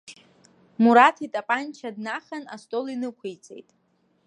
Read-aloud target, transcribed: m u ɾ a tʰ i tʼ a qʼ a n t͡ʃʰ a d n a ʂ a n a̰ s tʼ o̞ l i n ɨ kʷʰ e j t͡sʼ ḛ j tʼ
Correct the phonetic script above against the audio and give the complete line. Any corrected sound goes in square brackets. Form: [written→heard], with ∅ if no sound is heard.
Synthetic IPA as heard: m u ɾ a tʰ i tʼ a [qʼ→pʼ] a n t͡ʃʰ a d n a [ʂ→χ] a n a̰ s tʼ o̞ l i n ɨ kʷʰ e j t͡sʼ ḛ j tʼ